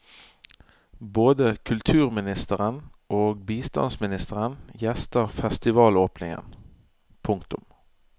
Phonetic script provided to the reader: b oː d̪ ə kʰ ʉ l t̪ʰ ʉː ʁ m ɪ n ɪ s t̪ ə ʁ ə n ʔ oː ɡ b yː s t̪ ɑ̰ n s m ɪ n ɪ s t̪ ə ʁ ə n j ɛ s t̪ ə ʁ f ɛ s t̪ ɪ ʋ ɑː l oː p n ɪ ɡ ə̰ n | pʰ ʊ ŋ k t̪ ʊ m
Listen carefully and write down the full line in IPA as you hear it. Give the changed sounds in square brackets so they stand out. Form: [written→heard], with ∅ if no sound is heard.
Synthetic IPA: b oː d̪ ə kʰ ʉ l t̪ʰ ʉː ʁ m ɪ n ɪ s t̪ ə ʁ ə n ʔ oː ɡ b [yː→iː] s t̪ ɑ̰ n s m ɪ n ɪ s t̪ ə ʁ ə n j ɛ s t̪ ə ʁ f ɛ s t̪ ɪ ʋ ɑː l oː p n ɪ [ɡ→ŋ] ə̰ n | pʰ ʊ ŋ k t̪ ʊ m